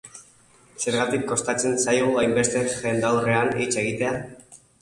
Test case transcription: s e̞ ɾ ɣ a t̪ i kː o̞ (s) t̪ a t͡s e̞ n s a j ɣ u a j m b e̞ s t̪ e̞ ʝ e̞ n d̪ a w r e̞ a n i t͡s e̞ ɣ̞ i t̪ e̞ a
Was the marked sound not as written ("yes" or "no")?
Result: no